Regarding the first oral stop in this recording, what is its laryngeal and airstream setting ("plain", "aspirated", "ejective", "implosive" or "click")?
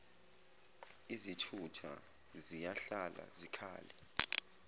aspirated